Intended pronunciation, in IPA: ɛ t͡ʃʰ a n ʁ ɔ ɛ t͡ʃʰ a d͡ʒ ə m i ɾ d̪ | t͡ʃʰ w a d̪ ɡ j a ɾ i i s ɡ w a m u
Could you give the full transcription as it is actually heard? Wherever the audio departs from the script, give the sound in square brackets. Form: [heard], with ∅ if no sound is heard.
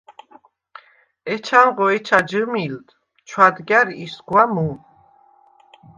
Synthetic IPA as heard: ɛ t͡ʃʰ a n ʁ ɔ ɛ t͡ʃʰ a d͡ʒ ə m i [l] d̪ | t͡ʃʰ w a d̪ ɡ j a ɾ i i s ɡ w a m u